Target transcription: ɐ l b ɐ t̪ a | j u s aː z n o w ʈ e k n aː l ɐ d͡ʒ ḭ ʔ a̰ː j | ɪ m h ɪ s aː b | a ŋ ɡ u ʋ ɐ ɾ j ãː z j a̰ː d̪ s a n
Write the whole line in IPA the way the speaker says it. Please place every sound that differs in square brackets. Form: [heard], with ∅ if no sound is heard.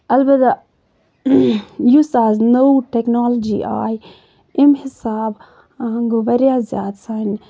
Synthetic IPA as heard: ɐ l b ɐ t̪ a | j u s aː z n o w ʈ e k n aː l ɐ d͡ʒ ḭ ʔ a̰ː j | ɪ m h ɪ s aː b | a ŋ ɡ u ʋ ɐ ɾ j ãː z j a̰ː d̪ s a n